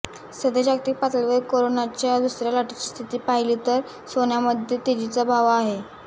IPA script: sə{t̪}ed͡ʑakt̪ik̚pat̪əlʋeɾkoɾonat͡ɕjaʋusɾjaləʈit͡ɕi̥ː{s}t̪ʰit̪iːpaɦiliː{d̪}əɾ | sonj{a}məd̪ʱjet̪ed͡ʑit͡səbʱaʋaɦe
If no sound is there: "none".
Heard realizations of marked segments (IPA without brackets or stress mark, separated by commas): d̪, s, t̪, a